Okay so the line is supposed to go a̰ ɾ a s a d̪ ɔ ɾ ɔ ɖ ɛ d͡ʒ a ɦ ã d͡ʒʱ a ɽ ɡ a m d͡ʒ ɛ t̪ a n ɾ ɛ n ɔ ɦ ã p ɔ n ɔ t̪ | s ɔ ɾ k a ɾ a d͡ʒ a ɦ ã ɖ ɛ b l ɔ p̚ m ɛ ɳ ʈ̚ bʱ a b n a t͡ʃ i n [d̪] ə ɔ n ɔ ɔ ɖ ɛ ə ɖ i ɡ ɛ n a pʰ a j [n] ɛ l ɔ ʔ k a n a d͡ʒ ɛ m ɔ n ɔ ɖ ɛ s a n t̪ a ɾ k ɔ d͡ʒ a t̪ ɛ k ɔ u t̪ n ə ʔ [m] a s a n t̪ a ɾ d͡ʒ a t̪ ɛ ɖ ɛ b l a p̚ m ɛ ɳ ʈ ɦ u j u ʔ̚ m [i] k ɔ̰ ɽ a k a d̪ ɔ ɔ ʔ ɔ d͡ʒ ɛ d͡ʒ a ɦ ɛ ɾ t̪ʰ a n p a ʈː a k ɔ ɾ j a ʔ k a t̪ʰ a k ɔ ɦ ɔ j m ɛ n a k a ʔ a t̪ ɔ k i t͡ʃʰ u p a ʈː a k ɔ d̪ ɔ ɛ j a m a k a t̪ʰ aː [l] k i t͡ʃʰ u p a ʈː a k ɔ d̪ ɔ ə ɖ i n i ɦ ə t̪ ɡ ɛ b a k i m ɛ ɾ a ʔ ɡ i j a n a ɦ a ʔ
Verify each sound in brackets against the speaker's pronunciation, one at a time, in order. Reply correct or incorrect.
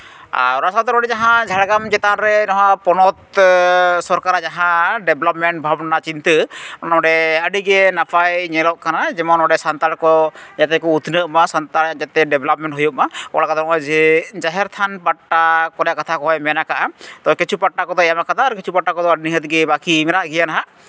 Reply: incorrect, incorrect, correct, incorrect, incorrect

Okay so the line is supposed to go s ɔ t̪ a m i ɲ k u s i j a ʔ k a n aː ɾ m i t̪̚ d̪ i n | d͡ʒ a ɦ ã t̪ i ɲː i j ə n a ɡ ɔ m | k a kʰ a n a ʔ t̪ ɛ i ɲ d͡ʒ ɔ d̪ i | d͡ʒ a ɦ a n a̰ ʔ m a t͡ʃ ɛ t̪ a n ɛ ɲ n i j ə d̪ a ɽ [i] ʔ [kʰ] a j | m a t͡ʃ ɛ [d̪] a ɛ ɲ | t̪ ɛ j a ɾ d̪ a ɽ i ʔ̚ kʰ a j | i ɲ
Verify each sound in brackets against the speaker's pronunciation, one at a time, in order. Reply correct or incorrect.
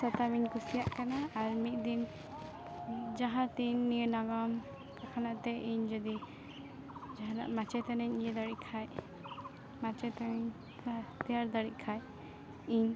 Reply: correct, correct, incorrect

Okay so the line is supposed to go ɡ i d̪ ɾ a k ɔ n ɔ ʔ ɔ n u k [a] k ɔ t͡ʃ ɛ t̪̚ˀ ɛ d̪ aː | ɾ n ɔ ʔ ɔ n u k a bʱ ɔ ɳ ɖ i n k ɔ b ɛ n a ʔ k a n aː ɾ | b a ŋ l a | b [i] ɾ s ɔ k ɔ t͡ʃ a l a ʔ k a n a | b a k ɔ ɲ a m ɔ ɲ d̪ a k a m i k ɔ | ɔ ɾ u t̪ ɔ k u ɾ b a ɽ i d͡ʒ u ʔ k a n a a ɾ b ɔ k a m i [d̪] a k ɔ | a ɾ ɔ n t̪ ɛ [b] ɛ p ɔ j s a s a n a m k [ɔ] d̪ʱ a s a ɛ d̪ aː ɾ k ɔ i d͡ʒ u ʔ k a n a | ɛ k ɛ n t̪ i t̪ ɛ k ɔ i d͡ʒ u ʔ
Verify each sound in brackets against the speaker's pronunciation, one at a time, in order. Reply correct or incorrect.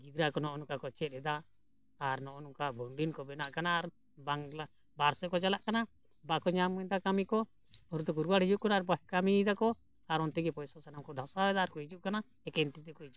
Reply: correct, incorrect, correct, incorrect, correct

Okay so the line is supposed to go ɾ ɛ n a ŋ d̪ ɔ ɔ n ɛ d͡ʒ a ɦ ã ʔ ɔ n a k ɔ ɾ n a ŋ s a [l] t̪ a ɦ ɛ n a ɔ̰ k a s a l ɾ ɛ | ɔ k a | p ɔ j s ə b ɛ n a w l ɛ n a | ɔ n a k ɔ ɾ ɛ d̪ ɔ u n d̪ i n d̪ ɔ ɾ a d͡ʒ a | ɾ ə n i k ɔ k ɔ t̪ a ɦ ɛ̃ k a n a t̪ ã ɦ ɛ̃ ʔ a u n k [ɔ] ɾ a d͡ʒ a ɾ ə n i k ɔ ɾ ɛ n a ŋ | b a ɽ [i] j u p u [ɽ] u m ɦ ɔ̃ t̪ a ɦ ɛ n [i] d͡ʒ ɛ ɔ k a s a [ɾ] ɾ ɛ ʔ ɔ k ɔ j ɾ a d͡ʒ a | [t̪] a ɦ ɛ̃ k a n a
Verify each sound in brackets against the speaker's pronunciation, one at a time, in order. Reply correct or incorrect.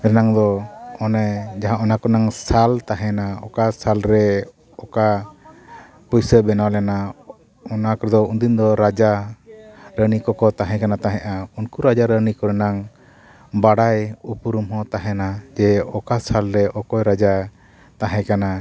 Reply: correct, incorrect, incorrect, incorrect, incorrect, incorrect, correct

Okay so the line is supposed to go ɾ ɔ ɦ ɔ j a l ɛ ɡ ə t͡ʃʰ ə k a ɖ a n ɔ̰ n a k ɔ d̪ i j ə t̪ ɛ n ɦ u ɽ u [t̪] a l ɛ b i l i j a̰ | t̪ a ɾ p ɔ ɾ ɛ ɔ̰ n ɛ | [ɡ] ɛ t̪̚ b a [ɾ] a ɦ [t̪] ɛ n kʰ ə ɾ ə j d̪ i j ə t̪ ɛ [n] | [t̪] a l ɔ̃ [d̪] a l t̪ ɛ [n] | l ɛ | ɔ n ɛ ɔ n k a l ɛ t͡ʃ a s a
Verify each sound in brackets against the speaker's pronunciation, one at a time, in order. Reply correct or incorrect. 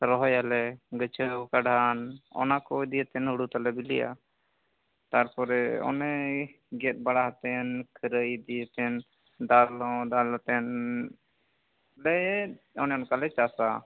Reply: correct, correct, incorrect, correct, correct, incorrect, correct, correct

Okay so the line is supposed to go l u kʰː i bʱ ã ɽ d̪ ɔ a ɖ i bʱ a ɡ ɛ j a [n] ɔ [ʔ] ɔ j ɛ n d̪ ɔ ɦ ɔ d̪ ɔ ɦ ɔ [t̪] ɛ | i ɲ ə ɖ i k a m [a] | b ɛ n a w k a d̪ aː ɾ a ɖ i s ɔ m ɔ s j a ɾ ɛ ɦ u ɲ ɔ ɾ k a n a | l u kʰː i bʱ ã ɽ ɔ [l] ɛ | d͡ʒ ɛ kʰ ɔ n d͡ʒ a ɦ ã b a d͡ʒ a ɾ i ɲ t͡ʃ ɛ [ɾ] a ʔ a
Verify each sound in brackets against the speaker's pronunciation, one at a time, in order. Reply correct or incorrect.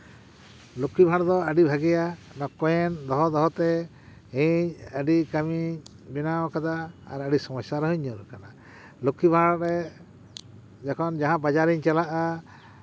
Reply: correct, incorrect, correct, incorrect, incorrect, incorrect

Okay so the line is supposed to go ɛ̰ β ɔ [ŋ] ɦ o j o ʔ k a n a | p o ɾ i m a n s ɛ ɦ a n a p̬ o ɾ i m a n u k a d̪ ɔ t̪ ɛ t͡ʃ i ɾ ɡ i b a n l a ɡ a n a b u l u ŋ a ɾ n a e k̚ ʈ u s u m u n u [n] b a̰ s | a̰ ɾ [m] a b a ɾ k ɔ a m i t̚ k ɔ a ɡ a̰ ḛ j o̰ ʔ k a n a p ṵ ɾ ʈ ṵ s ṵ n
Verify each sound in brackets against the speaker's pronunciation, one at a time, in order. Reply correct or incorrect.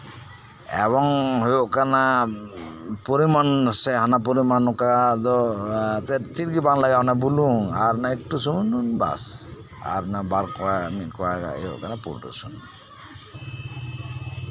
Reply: correct, correct, incorrect

